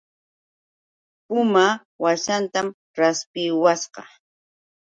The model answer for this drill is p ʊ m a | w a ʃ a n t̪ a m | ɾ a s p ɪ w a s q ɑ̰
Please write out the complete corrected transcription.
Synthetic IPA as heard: p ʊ m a | w a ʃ a n t̪ a m | ɾ a s p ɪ w a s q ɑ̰